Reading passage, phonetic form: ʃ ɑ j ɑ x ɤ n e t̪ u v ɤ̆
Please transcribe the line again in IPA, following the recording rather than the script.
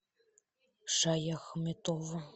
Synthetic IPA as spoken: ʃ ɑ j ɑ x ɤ m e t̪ o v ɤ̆